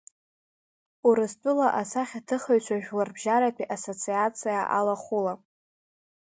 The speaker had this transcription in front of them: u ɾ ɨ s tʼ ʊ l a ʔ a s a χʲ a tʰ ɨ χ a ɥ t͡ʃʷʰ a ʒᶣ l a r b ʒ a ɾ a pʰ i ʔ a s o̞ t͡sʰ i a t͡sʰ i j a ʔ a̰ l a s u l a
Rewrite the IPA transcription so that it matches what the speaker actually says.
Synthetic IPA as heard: u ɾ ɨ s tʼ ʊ l a ʔ a s a χʲ a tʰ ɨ χ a ɥ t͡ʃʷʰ a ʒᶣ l a r b ʒ a ɾ a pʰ i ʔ a s o̞ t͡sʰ i a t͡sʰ i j a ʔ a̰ l a χ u l a

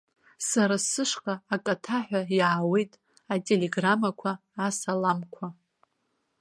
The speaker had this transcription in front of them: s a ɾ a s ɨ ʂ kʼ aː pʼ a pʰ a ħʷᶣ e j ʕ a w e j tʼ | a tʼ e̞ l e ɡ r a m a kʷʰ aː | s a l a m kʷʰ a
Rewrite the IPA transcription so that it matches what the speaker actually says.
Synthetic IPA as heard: s a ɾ a s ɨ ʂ qʼ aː kʼ a tʰ a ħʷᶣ a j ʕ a w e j tʼ | a tʼ e̞ l e ɡ r a m a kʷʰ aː | s a l a m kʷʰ a

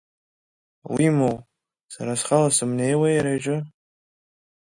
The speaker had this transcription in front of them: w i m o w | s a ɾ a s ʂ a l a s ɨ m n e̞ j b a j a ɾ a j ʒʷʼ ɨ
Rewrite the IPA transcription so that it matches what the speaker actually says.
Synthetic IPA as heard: w i m o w | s a ɾ a s χ a l a s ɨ m n e̞ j w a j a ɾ a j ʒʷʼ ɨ

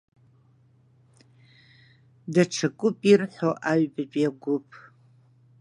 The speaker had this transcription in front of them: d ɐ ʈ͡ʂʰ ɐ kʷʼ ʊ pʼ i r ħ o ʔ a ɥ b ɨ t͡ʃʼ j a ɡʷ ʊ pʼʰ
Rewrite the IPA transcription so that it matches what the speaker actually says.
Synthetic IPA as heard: d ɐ ʈ͡ʂʰ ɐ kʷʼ ʊ pʼ i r ħ o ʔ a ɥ b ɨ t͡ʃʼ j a ɡʷ ʊ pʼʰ

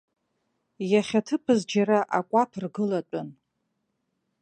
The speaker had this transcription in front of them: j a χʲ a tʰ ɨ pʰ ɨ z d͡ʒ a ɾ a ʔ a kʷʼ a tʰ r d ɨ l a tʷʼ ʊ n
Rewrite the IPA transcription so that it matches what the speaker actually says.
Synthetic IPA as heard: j a χʲ a tʰ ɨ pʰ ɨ z d͡ʒ a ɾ a ʔ a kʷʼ a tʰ r ɡ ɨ l a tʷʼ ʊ n

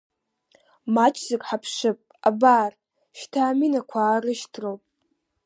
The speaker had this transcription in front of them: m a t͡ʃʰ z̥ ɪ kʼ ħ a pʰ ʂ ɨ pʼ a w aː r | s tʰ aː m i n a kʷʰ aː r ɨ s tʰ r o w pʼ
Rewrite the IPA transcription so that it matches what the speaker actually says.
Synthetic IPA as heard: m a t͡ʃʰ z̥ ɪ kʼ ħ a pʰ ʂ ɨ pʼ a b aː r | ʃ tʰ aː m i n a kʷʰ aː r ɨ ʃ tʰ r o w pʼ

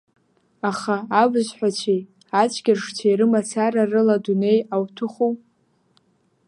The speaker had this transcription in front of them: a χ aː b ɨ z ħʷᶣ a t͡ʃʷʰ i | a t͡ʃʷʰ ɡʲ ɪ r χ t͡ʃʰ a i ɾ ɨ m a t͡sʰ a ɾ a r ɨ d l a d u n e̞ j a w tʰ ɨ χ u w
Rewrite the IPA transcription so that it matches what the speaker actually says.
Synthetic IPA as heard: a χ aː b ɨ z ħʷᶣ a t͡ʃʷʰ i | a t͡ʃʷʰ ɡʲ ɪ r ʂ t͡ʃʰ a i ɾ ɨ m a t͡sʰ a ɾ a r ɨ l a d u n e̞ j a w tʰ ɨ χ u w

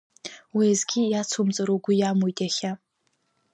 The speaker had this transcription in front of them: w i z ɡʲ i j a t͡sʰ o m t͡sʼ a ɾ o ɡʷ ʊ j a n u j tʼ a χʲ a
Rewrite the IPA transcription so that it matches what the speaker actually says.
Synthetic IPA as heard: w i z ɡʲ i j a t͡sʰ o m t͡sʼ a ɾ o ɡʷ ʊ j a m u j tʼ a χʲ a

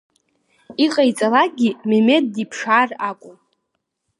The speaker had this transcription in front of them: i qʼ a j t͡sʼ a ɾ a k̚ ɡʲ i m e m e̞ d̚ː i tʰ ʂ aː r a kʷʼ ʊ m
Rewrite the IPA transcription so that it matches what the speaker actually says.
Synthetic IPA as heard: i qʼ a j t͡sʼ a l a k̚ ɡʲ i m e m e̞ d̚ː i pʰ ʂ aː r a kʷʼ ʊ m

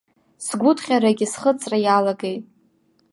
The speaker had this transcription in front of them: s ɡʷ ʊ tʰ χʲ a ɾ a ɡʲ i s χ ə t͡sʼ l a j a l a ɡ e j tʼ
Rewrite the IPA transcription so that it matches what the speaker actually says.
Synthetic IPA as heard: s ɡʷ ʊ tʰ χʲ a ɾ a ɡʲ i s χ ə t͡sʼ r a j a l a ɡ e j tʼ

